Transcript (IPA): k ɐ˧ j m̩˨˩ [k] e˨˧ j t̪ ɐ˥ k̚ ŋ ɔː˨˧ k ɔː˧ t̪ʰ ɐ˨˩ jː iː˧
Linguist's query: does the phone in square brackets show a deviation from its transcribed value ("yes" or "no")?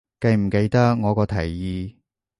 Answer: no